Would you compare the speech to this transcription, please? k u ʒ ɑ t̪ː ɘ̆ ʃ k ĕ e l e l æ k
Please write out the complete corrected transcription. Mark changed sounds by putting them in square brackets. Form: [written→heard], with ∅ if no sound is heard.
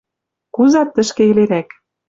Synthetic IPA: k u [ʒ→z] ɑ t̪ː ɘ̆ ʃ k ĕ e l e [l→ɾ] æ k